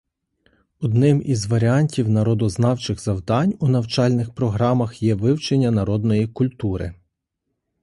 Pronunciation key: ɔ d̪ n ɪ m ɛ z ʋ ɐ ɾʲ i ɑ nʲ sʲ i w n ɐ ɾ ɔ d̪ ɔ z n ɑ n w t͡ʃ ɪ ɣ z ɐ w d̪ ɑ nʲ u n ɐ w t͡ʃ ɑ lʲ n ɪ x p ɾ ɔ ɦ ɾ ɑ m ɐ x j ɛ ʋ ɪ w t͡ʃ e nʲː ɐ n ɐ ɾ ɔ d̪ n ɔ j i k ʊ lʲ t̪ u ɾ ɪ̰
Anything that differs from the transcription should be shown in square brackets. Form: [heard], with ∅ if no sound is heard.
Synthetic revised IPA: ɔ d̪ n ɪ m [i] z ʋ ɐ ɾʲ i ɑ nʲ [tʲ] i w n ɐ ɾ ɔ d̪ ɔ z n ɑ [∅] w t͡ʃ ɪ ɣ z ɐ w d̪ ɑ nʲ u n ɐ w t͡ʃ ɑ lʲ n ɪ x p ɾ ɔ ɦ ɾ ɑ m ɐ x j ɛ ʋ ɪ w t͡ʃ e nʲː ɐ n ɐ ɾ ɔ d̪ n ɔ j i k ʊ lʲ t̪ u ɾ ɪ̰